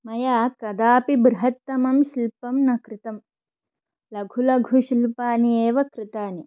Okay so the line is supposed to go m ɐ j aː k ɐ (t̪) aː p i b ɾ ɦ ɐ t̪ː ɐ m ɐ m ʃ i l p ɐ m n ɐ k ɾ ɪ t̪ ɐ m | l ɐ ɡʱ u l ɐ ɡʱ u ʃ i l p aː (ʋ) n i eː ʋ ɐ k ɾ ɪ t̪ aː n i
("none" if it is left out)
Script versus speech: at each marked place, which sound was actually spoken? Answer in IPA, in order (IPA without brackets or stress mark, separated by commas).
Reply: d̪, none